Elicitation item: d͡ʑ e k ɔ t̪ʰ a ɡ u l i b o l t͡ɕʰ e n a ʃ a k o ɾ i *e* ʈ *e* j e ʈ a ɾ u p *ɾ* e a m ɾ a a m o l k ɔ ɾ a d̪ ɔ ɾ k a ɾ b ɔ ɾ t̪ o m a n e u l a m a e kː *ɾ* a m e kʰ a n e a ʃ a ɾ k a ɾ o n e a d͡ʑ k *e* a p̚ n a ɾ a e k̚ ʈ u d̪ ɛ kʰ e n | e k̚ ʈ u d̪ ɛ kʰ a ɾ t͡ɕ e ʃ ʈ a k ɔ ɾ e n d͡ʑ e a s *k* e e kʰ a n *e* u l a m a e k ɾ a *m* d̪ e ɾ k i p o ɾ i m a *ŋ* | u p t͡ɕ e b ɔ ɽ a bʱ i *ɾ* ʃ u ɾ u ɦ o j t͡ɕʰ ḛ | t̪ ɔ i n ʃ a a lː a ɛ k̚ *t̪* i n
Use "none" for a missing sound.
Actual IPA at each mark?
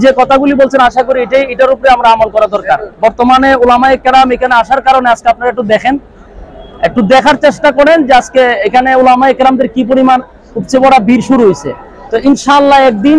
e, a, ɾ, ɾ, e, k, e, m, n, ɾ, d̪

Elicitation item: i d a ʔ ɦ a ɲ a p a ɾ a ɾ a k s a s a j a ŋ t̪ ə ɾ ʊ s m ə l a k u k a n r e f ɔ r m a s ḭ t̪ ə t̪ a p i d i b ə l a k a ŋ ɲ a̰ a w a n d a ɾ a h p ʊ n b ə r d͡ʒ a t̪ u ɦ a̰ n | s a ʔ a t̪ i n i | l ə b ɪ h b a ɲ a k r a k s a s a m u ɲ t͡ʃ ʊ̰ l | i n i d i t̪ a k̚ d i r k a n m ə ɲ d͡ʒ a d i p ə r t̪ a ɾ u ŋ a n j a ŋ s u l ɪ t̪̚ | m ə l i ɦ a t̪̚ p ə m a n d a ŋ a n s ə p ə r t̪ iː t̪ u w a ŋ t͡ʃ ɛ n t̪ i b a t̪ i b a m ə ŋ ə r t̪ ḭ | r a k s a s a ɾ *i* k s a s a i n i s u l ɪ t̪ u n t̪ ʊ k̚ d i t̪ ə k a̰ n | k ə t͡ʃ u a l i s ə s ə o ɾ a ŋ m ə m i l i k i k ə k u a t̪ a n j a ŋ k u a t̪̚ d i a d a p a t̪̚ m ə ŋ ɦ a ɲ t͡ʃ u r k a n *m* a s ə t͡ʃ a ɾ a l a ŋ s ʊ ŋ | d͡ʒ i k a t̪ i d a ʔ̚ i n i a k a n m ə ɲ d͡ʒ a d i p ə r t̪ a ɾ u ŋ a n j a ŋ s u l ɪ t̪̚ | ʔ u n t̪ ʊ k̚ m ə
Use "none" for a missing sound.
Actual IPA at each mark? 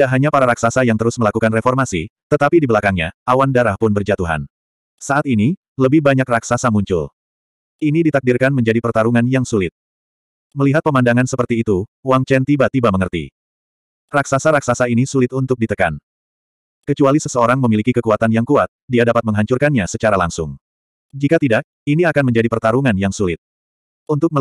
a, ɲ

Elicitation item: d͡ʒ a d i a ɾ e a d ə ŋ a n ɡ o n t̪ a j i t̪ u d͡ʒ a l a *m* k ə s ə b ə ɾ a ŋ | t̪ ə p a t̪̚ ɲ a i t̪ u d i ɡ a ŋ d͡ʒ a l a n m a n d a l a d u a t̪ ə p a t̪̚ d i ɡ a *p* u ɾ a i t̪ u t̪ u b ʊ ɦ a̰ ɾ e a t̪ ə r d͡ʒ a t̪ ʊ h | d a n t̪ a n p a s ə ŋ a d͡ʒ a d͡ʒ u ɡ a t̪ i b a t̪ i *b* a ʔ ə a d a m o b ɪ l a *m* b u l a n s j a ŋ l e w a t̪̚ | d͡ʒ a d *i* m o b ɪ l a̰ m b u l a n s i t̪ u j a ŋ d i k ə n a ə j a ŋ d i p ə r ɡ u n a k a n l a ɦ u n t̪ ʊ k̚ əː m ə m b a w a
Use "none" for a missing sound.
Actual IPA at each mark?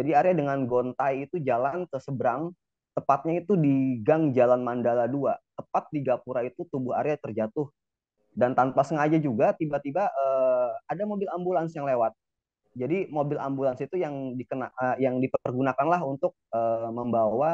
n, p, b, m, i

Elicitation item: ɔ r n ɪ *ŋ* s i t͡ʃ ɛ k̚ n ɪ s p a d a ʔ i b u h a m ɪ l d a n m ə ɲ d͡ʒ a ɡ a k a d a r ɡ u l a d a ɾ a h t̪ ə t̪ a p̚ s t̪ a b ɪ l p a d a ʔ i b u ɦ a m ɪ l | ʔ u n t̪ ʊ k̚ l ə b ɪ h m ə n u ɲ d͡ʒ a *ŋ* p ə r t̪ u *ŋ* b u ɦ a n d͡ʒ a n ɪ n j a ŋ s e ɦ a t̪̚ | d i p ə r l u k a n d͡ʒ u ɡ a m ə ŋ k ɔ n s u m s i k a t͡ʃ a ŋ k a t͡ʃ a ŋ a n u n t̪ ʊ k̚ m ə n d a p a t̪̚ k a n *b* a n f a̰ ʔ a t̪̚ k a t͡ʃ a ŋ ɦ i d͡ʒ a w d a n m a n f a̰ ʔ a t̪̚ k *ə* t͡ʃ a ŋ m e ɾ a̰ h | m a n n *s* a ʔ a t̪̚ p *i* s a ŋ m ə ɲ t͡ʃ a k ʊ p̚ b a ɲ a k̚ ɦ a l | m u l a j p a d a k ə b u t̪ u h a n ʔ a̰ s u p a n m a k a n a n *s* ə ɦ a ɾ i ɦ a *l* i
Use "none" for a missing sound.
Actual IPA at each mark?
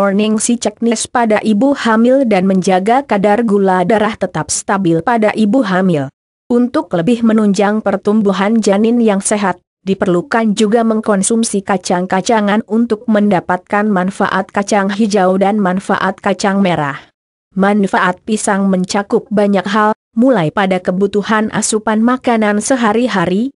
ŋ, ŋ, m, m, a, f, i, s, ɾ

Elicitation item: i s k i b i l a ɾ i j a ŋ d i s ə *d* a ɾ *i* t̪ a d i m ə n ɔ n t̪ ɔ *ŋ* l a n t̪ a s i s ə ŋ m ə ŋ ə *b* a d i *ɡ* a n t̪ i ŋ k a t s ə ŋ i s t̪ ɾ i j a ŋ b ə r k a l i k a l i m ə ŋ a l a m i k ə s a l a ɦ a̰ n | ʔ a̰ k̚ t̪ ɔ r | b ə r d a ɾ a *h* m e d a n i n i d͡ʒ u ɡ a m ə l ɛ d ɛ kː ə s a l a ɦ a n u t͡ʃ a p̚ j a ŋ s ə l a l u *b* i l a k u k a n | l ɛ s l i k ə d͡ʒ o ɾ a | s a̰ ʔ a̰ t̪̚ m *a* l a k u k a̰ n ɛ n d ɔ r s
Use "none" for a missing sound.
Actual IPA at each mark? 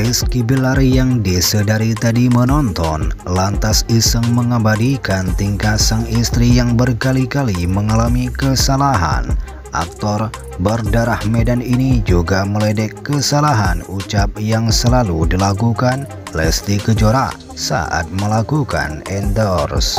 d, i, n, b, k, h, d, ə

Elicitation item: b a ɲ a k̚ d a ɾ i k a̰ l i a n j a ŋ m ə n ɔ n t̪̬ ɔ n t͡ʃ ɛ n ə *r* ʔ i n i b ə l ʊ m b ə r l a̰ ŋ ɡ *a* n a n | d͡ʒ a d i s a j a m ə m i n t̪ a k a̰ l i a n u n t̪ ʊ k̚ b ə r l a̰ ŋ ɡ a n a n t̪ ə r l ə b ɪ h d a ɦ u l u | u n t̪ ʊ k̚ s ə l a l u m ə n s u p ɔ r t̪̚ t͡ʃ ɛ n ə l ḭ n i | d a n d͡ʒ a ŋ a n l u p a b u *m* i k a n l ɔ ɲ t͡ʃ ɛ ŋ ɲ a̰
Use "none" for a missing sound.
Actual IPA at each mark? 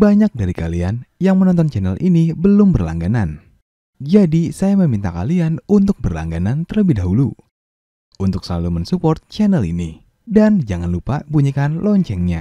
l, a, ɲ

